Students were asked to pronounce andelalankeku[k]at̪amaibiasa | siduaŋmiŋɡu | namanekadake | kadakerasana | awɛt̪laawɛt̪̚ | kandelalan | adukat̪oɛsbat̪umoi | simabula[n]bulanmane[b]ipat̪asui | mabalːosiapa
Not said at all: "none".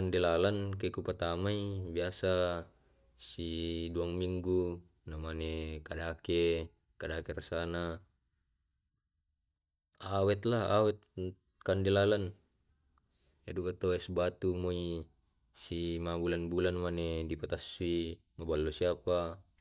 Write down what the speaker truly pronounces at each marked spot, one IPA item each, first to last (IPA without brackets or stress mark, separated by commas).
p, n, d